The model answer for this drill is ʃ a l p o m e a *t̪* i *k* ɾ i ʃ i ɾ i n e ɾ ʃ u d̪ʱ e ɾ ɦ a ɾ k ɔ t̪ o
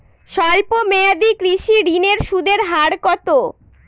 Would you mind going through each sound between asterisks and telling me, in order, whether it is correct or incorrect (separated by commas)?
incorrect, correct